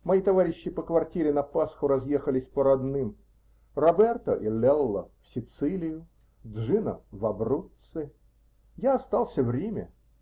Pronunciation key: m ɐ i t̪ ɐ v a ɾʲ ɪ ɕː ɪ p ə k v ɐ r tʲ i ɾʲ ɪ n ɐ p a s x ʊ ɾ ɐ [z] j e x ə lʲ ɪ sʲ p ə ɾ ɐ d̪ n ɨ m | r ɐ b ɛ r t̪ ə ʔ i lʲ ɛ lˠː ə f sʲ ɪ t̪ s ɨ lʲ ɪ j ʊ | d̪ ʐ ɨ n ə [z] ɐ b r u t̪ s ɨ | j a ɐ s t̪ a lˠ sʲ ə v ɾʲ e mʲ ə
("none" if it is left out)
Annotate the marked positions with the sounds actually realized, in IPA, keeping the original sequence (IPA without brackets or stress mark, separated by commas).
z, v